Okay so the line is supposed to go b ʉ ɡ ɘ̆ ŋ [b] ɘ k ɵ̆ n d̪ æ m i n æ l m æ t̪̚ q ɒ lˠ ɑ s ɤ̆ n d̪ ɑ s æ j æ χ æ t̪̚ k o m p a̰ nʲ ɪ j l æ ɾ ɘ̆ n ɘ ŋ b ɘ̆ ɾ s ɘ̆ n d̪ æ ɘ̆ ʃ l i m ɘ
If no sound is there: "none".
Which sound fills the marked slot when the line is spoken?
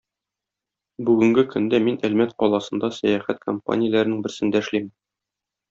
ɡ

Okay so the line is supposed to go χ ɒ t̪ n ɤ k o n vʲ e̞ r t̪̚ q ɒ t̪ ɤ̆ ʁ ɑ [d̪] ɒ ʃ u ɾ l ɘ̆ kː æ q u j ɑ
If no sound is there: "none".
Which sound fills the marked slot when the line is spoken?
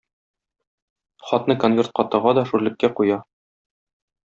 d̪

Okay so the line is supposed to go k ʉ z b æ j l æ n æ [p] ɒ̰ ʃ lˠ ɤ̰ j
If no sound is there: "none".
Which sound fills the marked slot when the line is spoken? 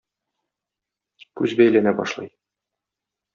b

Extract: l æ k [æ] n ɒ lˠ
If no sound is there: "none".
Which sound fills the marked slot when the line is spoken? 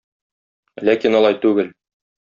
i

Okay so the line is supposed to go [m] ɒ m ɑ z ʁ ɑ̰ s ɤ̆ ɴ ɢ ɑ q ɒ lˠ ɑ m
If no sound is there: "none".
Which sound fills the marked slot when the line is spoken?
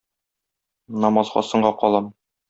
n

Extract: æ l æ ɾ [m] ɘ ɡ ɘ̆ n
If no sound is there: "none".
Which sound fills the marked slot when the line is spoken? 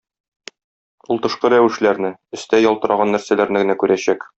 n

